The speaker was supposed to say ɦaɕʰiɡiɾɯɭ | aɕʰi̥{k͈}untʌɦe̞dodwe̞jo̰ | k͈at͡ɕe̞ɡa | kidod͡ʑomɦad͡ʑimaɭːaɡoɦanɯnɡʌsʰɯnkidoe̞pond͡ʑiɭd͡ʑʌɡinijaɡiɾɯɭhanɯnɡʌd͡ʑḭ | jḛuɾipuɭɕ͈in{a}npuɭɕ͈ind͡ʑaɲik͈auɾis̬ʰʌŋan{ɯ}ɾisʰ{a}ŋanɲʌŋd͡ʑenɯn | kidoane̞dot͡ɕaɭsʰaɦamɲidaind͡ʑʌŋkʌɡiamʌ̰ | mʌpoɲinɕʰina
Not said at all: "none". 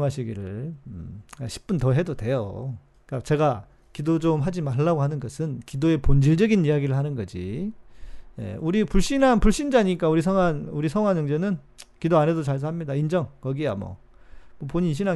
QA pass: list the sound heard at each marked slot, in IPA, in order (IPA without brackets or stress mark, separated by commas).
p͈, a, u, ʌ